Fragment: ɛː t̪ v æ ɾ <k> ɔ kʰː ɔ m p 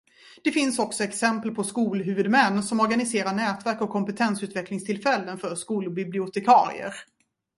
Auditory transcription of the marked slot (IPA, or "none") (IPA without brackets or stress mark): k